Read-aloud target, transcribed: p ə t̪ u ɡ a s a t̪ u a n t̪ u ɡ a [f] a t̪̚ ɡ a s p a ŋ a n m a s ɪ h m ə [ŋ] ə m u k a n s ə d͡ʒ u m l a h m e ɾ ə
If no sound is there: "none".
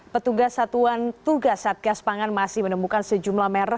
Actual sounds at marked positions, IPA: s, n

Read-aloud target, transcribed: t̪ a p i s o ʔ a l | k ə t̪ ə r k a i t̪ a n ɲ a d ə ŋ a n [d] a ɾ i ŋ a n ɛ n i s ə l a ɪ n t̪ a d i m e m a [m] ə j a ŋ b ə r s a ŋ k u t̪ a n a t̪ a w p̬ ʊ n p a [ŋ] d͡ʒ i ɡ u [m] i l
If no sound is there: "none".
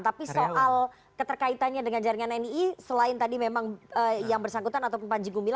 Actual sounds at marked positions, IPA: d͡ʒ, ŋ, ɲ, m

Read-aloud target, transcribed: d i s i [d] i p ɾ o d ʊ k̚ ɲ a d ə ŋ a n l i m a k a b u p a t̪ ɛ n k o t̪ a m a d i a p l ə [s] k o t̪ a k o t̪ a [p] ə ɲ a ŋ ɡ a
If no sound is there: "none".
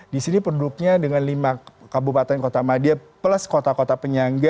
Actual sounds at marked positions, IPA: n, s, p

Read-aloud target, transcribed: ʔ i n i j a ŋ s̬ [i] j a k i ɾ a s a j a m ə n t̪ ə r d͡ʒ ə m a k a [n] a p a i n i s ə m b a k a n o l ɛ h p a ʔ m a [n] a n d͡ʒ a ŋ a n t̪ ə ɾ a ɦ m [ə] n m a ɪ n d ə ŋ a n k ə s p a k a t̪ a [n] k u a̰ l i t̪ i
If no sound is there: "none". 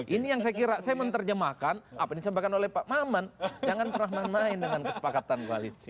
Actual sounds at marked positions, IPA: a, n, m, a, n

